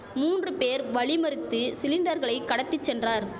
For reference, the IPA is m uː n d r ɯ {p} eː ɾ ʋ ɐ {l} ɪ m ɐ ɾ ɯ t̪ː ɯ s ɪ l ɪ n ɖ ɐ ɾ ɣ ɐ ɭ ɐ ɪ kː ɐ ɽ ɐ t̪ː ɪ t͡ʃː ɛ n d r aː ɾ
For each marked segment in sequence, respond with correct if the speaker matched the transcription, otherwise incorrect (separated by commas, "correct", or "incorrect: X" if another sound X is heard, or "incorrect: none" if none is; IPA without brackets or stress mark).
correct, incorrect: ɭ